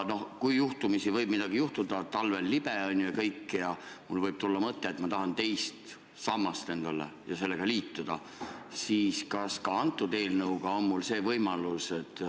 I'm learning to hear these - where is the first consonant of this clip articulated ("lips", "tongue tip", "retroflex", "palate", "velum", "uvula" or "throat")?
tongue tip